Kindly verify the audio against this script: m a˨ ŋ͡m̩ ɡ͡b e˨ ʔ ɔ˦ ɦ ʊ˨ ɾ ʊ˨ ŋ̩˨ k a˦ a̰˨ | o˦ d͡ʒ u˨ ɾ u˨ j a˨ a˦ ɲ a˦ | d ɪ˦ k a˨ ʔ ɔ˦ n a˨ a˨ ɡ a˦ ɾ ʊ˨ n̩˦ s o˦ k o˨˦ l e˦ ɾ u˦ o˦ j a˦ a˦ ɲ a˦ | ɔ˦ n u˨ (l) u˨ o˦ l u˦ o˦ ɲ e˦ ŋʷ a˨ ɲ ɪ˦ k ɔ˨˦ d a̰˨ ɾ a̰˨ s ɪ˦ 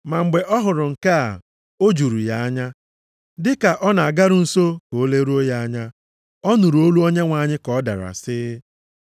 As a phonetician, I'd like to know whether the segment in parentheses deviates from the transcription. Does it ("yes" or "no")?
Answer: yes